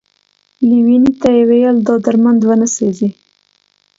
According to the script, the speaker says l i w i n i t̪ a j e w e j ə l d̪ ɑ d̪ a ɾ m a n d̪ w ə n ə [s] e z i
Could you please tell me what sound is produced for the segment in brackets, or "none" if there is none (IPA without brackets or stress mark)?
s